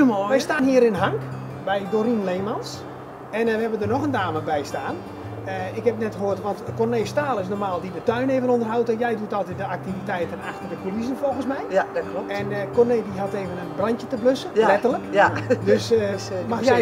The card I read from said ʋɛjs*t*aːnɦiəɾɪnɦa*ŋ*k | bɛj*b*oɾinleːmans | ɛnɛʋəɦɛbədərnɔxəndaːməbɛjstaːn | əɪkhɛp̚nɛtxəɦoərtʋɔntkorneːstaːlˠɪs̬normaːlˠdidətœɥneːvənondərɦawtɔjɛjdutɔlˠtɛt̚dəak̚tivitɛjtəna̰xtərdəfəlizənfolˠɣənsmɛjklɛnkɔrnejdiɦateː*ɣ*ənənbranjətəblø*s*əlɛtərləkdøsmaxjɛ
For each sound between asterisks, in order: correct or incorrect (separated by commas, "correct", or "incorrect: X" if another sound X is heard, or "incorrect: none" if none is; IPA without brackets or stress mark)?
correct, correct, incorrect: d, incorrect: v, correct